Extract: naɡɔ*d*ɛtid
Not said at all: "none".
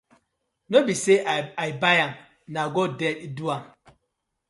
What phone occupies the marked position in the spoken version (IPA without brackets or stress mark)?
d